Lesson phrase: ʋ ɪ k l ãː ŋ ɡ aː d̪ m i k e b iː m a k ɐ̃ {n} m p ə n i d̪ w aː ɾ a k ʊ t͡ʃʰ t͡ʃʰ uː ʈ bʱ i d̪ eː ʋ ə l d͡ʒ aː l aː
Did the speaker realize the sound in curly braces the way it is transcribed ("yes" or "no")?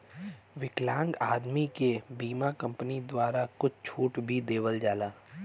no